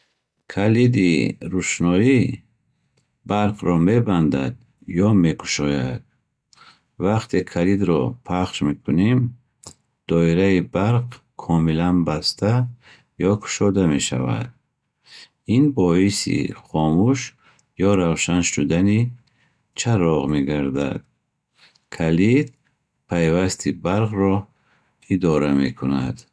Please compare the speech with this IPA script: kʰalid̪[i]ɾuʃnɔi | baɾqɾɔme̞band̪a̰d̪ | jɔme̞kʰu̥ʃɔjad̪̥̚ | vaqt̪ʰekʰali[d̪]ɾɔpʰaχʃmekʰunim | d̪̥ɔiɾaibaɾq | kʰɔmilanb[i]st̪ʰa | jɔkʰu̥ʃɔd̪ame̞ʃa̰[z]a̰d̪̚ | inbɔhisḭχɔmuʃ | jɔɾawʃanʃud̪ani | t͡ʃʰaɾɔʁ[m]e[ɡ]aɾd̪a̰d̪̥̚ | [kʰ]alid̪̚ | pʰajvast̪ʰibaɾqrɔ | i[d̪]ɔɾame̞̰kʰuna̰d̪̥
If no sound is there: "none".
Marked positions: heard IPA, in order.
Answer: i, d̪, a, v, m, ɡ, kʰ, d̪

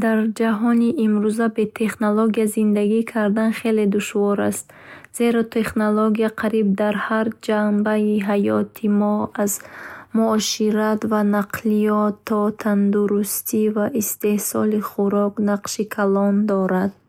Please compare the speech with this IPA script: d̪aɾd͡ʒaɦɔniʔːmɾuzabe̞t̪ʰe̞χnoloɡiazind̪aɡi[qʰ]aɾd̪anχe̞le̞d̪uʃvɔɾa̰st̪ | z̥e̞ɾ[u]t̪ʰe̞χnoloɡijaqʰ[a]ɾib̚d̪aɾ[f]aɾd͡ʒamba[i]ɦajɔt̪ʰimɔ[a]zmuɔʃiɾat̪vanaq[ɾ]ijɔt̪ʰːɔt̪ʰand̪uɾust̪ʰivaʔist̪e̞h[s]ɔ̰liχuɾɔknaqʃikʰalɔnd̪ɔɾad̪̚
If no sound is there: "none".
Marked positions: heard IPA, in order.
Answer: kʰ, ɔ, a, h, i, a, l, s

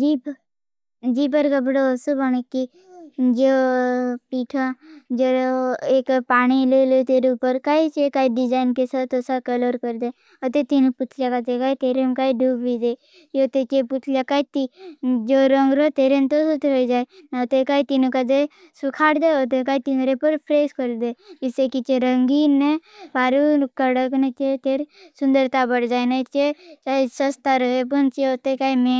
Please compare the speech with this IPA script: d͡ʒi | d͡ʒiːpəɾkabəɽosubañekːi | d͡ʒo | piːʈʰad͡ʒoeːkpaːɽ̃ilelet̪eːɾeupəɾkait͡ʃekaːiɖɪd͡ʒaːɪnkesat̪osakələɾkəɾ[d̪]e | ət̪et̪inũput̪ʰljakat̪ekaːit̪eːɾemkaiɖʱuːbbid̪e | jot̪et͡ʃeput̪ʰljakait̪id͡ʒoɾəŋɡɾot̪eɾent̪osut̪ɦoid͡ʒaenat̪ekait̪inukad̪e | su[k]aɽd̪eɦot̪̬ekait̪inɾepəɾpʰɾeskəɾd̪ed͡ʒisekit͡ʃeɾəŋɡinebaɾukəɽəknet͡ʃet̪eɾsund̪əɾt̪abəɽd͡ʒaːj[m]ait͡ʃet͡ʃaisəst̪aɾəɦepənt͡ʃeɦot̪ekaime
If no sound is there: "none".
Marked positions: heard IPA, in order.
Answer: d̪, kʰ, n

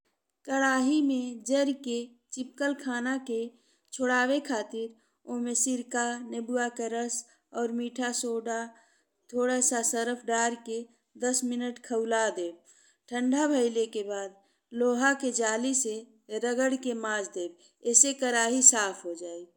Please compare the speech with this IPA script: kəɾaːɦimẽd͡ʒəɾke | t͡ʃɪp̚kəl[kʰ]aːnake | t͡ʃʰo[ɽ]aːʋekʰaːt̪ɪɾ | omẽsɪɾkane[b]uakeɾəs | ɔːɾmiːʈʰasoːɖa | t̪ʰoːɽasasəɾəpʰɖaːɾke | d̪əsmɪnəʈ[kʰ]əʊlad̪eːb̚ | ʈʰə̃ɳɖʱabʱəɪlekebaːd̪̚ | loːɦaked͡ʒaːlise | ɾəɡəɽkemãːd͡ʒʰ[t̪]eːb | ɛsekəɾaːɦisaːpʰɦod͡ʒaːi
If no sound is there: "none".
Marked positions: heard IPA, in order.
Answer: kʰ, ɽ, b, kʰ, d̪

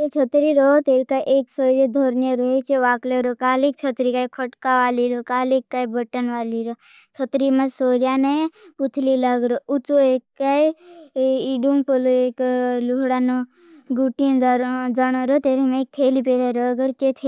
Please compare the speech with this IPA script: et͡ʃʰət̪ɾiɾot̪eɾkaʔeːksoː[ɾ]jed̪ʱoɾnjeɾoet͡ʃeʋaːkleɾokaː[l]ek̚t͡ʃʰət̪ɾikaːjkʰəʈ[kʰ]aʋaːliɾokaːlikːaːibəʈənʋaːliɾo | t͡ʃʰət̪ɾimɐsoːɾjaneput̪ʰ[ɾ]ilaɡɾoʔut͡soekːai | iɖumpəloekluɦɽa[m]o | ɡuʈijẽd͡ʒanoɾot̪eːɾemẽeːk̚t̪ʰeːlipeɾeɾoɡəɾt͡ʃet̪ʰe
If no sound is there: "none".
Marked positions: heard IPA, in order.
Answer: ɾ, l, k, l, n

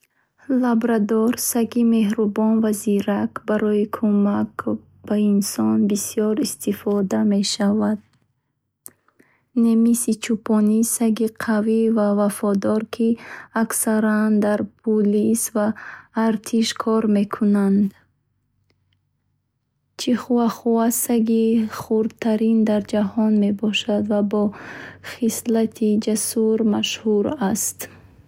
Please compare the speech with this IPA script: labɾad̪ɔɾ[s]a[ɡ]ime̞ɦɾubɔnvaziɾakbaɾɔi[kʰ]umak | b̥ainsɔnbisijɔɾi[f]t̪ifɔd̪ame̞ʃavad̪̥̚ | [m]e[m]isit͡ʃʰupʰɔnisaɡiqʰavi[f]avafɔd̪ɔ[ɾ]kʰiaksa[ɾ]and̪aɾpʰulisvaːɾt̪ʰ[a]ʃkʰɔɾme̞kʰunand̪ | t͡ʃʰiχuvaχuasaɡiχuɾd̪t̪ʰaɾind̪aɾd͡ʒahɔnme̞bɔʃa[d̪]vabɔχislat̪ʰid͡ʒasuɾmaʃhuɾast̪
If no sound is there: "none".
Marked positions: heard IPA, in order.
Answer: s, ɡ, kʰ, s, n, m, v, ɾ, ɾ, i, d̪

